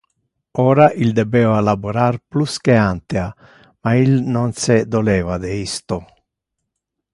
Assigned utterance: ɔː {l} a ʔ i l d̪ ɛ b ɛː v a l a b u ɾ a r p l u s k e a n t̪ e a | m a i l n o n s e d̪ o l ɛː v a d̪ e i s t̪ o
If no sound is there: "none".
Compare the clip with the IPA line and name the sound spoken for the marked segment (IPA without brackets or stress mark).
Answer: ɾ